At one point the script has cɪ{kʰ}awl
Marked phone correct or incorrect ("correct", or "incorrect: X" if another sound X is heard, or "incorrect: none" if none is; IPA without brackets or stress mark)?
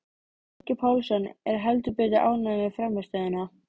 incorrect: pʰ